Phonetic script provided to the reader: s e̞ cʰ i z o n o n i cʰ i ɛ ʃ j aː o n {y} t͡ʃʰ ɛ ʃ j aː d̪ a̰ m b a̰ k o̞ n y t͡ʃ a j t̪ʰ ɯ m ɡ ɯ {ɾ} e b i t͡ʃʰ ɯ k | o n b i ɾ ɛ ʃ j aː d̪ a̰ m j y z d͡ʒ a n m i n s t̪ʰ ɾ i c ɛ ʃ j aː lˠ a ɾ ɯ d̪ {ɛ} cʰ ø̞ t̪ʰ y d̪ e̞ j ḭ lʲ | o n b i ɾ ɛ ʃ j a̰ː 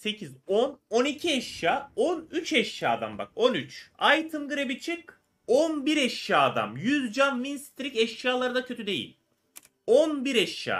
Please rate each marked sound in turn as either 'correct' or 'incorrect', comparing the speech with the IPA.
correct, correct, incorrect

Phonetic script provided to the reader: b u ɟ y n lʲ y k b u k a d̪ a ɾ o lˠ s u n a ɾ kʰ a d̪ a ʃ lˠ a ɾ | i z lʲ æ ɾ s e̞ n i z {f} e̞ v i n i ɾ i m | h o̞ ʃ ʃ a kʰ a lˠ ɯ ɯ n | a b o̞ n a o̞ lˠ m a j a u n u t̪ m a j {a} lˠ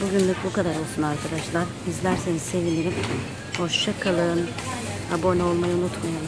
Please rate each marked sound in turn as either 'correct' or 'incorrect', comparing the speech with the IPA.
incorrect, correct

